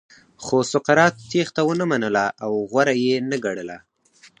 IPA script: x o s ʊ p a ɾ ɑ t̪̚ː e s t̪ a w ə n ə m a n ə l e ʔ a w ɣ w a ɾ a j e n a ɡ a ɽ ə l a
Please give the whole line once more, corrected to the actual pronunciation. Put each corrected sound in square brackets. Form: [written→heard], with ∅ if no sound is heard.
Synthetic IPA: x o s ʊ [p→q] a ɾ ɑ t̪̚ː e [s→x] t̪ a w ə n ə m a n ə l [e→a] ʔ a w ɣ w a ɾ a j e n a ɡ a ɽ ə l a